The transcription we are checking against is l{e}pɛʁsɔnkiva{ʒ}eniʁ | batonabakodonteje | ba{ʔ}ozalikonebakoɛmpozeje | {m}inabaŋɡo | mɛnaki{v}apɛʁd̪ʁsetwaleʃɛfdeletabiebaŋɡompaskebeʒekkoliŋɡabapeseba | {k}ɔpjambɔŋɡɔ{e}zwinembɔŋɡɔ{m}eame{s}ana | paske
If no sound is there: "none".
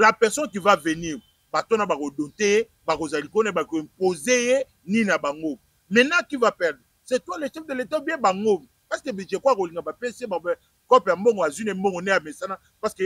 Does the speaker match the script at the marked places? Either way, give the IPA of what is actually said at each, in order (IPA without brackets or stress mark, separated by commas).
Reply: a, v, k, n, v, k, a, n, s